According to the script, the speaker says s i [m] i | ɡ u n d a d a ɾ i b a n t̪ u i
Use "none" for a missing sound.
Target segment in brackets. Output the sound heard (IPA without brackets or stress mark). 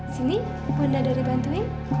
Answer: n